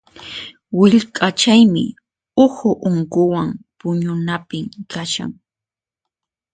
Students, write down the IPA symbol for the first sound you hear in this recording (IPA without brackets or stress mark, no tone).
w